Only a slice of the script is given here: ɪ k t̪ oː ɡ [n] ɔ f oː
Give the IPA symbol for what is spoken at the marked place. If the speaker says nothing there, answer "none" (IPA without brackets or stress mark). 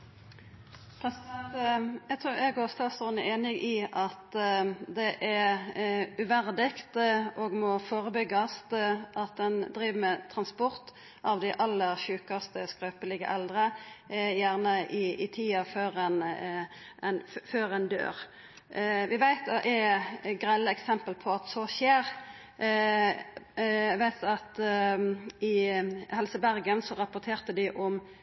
m